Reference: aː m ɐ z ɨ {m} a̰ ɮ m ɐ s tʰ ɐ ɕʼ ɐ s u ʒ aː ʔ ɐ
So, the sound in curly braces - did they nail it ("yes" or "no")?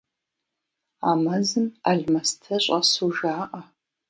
yes